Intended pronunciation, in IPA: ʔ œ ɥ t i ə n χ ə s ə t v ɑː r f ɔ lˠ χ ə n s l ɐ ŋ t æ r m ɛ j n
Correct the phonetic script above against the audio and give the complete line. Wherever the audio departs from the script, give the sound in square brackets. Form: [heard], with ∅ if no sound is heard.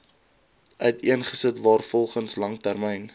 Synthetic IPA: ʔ œ ɥ t i ə n χ ə s ə t v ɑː r f ɔ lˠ χ ə n s l ɐ ŋ t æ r m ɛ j n

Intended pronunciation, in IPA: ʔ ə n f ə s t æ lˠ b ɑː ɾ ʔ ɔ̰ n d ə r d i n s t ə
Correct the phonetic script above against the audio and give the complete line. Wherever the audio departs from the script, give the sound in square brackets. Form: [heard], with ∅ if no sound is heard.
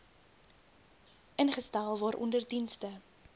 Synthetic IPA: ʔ ə n [χ] ə s t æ lˠ [v] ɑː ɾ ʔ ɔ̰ n d ə r d i n s t ə

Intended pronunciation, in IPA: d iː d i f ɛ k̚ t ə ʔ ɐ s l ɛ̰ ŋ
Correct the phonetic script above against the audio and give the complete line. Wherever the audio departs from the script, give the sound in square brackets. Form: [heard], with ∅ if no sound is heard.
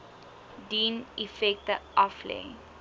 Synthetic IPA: d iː [n] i f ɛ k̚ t ə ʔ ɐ [f] l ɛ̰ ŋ

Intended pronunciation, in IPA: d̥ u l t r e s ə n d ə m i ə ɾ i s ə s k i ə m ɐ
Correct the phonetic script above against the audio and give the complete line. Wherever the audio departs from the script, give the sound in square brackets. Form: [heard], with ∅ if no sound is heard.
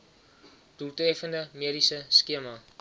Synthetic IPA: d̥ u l t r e [f] ə n d ə m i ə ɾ i s ə s k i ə m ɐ

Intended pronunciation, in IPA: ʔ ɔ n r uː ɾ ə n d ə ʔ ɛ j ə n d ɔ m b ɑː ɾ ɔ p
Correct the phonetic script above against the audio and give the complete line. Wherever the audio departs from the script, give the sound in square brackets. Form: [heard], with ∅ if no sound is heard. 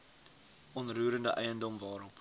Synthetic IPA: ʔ ɔ n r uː ɾ ə n d ə ʔ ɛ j ə n d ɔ m [v] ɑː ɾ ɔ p

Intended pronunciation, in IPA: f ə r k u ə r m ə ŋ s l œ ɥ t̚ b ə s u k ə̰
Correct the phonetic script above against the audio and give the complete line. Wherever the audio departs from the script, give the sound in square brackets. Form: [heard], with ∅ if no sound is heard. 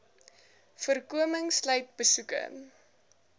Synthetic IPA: f ə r k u ə [∅] m ə ŋ s l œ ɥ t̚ b ə s u k ə̰

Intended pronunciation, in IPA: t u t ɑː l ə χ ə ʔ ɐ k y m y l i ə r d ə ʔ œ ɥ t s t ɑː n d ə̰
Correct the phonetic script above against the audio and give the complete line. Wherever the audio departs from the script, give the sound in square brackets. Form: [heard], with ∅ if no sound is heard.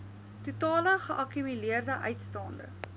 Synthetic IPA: t u t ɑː l ə χ ə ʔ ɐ k y m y l i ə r d ə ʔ œ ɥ t s t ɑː n d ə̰

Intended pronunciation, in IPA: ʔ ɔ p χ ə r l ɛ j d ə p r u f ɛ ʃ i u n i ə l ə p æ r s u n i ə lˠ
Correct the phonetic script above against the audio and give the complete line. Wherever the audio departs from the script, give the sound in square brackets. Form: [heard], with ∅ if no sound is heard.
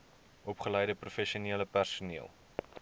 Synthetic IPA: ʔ ɔ p χ ə [∅] l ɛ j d ə p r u f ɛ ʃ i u n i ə l ə p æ r s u n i ə lˠ

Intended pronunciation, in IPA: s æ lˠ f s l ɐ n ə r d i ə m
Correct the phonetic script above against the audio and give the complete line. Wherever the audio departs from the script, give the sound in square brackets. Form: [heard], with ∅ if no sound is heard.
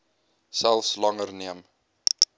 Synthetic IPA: s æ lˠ f s l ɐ [ŋ] ə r [n] i ə m

